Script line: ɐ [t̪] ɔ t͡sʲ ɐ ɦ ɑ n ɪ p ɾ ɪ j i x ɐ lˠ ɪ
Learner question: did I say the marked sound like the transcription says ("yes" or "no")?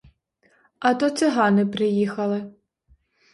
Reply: yes